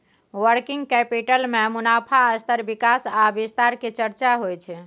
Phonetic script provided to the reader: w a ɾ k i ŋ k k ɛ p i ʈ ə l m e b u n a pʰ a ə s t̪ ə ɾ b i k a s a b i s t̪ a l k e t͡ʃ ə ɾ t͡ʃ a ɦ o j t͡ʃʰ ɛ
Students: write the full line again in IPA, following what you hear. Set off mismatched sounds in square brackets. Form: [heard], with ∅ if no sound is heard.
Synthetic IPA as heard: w [ə] ɾ k i ŋ [ɡ] k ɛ p i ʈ ə l m e [m] u n a pʰ a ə s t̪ ə ɾ b i k a s a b i s t̪ a [ɾ] k e t͡ʃ ə ɾ t͡ʃ a ɦ o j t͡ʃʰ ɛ